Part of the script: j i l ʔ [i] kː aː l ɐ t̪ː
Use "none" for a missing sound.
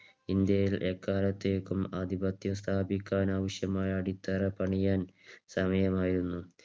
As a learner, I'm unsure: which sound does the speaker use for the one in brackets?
e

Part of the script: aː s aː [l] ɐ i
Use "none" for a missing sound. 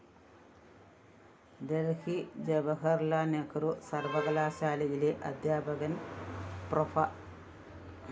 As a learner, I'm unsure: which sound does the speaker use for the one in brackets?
l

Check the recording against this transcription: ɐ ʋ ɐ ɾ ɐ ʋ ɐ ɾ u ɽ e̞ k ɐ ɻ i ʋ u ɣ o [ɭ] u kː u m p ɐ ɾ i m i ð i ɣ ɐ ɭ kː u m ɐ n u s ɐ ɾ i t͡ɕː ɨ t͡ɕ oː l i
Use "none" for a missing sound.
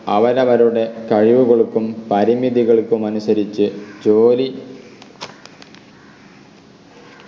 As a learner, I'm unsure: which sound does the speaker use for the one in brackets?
ɭ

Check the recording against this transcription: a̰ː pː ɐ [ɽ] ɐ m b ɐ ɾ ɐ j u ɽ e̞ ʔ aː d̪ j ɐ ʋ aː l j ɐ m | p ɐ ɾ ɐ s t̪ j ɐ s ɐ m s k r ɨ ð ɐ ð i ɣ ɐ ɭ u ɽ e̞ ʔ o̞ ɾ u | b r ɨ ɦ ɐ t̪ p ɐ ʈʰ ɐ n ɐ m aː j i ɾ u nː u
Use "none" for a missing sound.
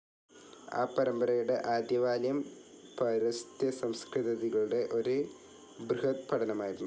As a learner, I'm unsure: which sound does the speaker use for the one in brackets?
ɾ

